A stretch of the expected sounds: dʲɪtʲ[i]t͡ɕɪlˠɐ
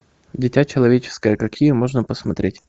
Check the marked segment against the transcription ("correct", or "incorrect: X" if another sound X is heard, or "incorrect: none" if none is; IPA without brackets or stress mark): incorrect: a